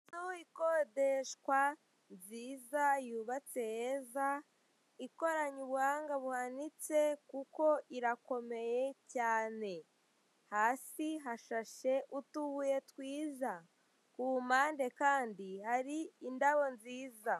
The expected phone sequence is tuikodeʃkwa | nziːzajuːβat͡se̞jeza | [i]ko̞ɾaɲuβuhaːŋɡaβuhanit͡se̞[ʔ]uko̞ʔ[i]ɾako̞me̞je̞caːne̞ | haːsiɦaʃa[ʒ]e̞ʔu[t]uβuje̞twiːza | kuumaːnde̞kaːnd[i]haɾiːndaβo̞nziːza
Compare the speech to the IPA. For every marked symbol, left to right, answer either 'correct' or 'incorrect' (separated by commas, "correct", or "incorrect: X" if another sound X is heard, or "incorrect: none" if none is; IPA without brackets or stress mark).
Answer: correct, incorrect: k, correct, incorrect: ʃ, correct, correct